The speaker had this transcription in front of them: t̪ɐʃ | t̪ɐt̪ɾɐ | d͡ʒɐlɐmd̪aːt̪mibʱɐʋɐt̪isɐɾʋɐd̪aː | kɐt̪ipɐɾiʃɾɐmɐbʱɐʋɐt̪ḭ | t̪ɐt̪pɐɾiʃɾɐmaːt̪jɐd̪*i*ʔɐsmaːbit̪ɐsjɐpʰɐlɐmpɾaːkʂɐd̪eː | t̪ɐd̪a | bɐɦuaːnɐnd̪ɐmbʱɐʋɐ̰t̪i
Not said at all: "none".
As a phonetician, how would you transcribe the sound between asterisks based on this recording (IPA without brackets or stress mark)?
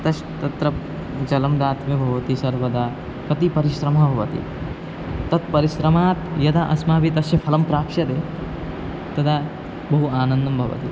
a